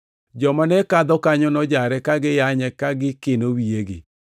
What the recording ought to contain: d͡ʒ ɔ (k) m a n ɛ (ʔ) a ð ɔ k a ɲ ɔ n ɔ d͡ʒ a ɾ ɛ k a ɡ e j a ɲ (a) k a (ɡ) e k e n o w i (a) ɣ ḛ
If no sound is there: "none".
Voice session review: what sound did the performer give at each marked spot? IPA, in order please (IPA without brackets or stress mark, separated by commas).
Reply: none, k, ɛ, ɡ, e